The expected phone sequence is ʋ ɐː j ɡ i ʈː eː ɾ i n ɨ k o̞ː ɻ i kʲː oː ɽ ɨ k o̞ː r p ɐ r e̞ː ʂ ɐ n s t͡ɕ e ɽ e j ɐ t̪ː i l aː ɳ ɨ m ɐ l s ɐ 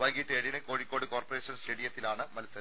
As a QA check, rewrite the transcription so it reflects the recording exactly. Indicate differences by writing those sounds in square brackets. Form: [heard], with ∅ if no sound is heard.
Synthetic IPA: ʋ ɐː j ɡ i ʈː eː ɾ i n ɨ k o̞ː ɻ i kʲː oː ɽ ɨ k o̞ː r p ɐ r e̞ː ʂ ɐ n s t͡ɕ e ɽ [i] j ɐ t̪ː i l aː ɳ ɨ m ɐ l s ɐ